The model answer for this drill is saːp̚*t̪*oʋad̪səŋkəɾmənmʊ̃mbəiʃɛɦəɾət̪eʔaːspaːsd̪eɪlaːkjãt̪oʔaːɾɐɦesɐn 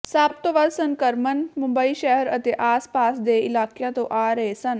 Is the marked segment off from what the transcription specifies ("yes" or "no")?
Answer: no